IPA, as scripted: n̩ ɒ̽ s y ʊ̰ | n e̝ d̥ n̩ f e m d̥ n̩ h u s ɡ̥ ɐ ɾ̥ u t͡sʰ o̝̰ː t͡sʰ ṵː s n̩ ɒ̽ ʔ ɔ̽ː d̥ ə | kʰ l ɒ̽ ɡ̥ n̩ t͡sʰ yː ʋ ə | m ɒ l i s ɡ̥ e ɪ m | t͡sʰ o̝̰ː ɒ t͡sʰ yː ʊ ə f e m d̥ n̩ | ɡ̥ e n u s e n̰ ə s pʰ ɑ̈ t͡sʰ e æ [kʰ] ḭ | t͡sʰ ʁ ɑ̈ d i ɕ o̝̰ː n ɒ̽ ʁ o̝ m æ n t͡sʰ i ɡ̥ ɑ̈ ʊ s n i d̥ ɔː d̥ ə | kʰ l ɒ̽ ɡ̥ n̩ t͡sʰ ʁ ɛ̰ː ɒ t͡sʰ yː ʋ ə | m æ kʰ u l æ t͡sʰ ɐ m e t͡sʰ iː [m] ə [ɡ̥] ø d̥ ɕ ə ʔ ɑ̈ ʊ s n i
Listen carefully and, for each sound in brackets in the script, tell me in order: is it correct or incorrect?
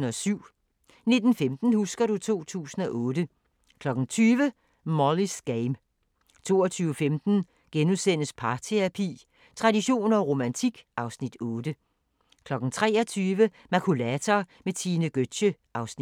incorrect: pʰ, incorrect: n, correct

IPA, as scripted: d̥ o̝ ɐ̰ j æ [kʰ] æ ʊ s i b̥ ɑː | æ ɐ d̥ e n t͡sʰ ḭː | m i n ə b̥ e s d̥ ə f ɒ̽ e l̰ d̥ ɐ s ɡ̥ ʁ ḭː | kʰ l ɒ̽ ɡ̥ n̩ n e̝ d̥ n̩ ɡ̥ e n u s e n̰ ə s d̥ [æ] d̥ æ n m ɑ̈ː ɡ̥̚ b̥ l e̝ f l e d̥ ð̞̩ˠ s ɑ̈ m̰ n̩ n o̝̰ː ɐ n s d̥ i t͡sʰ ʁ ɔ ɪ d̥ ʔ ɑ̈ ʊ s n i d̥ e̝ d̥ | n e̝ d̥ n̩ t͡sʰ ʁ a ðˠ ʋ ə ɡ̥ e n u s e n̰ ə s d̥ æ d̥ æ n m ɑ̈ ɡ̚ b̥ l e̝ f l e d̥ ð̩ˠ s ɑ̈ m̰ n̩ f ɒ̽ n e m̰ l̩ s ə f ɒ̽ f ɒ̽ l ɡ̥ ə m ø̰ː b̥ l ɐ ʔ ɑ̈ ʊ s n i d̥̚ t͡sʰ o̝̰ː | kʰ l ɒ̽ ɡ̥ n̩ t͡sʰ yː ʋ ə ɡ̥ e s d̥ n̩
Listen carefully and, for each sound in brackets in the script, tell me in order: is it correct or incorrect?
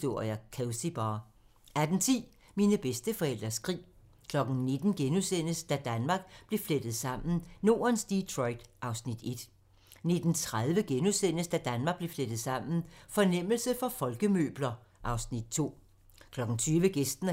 correct, correct

